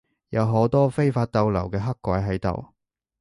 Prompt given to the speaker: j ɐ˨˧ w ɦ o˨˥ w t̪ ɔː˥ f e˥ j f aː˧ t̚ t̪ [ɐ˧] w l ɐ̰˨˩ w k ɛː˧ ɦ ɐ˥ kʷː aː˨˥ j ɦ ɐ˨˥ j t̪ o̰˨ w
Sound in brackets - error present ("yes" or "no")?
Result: no